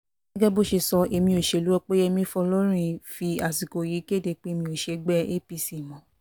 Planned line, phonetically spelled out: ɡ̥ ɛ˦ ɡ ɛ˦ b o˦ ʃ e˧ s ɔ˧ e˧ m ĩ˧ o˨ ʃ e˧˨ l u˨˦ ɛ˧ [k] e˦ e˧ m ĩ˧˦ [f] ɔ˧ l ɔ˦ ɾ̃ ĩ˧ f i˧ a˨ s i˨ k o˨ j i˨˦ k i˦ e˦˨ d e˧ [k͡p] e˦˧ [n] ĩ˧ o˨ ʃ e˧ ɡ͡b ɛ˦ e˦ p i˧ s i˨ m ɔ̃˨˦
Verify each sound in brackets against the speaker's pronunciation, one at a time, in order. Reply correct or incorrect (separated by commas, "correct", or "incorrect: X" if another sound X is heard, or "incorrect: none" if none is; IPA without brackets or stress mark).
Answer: incorrect: k͡p, correct, correct, incorrect: m